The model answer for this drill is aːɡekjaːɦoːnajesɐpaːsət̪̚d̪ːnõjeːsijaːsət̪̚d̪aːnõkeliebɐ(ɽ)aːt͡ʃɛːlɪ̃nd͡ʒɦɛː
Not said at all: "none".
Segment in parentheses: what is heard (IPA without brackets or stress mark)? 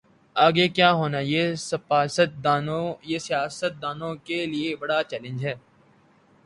ɽ